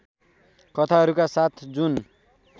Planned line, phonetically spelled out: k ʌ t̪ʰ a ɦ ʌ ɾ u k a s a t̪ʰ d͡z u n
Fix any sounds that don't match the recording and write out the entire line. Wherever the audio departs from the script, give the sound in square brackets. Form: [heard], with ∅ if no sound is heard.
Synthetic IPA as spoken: k ʌ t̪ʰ a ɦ ʌ ɾ u k a s a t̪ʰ d͡z u n